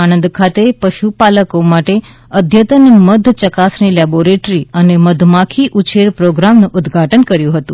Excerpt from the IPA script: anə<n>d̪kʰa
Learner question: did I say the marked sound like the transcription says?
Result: yes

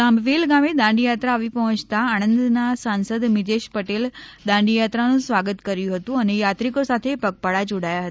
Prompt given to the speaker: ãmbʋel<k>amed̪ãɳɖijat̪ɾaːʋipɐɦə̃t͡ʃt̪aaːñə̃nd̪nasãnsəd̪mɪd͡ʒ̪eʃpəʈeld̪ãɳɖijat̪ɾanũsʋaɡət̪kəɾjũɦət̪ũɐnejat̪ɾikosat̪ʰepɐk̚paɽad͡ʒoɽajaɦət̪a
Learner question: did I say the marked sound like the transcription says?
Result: no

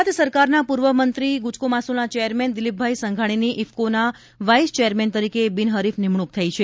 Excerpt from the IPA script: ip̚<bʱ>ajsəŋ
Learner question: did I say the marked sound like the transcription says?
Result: yes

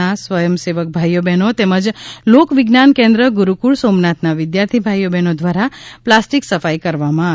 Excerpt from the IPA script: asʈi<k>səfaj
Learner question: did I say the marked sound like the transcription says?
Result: yes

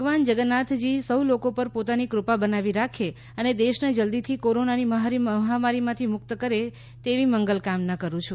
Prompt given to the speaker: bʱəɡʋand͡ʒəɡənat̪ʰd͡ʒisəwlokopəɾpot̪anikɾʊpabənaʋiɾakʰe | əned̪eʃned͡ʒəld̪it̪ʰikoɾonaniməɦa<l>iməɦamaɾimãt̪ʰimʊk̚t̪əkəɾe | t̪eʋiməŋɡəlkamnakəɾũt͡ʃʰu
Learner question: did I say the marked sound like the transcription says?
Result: no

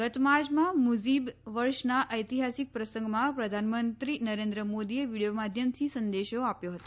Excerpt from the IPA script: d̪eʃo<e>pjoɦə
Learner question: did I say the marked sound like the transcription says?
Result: no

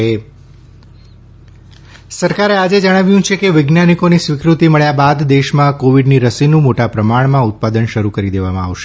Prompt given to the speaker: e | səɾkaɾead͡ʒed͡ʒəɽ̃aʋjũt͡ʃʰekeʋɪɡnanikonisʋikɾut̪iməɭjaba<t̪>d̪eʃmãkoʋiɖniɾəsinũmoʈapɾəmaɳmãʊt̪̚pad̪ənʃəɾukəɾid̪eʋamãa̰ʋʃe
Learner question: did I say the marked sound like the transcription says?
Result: no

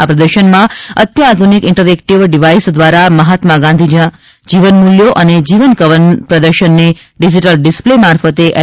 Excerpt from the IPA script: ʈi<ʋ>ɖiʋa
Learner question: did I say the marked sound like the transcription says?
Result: yes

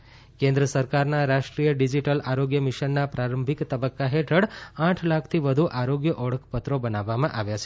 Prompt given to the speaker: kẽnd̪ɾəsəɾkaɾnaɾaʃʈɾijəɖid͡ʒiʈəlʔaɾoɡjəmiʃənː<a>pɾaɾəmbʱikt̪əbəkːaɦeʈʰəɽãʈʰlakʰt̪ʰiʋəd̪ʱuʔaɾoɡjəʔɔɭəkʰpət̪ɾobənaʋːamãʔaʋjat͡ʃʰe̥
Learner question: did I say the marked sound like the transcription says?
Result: yes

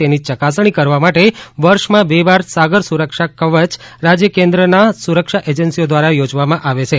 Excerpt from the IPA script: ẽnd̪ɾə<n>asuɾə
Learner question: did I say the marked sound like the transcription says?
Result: yes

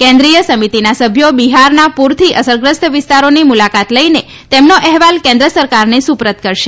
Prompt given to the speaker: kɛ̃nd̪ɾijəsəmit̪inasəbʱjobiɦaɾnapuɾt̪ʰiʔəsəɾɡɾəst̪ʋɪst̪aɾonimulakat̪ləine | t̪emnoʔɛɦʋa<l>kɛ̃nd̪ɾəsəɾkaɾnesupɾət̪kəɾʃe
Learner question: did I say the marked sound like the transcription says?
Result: yes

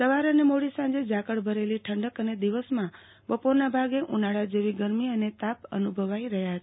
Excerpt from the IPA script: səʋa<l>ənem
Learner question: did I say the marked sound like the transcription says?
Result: no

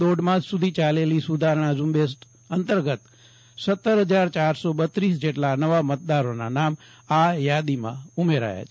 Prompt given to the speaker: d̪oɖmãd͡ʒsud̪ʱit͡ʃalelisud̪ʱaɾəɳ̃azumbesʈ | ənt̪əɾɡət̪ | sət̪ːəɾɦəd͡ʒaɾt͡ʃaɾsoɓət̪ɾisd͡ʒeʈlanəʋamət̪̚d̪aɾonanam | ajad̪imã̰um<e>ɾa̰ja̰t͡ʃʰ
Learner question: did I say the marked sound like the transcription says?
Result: yes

